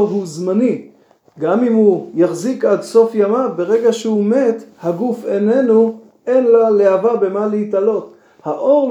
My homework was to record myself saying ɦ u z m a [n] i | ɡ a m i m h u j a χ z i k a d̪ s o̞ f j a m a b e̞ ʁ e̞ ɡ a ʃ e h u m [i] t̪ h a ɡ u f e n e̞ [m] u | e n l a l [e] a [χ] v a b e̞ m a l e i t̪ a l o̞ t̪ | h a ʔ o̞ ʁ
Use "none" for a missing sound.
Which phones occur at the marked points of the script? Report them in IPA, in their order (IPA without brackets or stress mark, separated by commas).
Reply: n, e, n, e, none